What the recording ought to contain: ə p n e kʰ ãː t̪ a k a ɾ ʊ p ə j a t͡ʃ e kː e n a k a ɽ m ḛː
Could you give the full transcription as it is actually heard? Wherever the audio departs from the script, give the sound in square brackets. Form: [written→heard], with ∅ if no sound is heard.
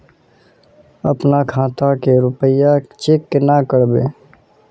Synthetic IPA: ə p n [e→a] kʰ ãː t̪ a k [a→e] ɾ ʊ p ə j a t͡ʃ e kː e n a k [a→ə] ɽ [m→b] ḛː